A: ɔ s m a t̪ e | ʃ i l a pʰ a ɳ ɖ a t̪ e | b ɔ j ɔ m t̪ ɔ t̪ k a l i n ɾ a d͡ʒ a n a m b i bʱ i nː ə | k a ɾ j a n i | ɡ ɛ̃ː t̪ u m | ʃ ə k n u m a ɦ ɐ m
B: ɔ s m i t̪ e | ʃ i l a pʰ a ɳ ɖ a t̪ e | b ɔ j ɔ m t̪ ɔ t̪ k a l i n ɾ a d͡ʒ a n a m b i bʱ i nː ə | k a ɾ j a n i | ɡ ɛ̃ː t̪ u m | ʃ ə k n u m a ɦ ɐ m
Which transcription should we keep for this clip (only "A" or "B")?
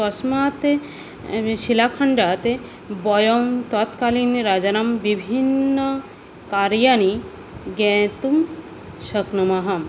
A